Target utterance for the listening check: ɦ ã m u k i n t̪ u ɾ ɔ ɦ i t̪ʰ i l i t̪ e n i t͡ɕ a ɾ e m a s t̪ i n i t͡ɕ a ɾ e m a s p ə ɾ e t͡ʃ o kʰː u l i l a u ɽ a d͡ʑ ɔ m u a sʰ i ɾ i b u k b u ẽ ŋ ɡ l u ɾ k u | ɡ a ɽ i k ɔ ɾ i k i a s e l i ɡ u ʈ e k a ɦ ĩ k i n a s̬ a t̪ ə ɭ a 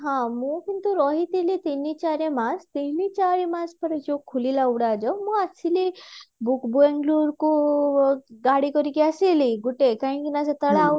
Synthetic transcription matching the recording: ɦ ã m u k i n t̪ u ɾ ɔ ɦ i t̪ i l i t̪ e n i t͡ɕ a ɾ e m a s t̪ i n i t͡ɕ a ɾ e m a s p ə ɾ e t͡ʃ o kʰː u l i l a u ɽ a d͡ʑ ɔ m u a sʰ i l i b u k b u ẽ ŋ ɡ l u ɾ k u | ɡ a ɽ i k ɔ ɾ i k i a s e l i ɡ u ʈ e k a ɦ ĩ k i n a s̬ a t̪ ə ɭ a